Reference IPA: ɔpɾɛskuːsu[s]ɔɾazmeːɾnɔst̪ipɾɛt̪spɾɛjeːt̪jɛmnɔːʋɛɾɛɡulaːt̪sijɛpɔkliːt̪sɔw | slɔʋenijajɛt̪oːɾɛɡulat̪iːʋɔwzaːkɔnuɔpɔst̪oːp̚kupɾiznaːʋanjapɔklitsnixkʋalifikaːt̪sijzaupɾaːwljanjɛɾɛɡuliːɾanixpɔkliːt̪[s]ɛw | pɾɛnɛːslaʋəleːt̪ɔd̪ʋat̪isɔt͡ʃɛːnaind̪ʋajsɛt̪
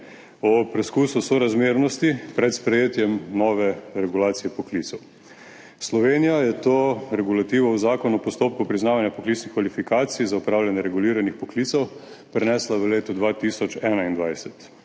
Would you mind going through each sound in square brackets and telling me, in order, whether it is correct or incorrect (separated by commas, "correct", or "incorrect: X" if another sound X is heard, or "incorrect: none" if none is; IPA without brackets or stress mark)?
correct, correct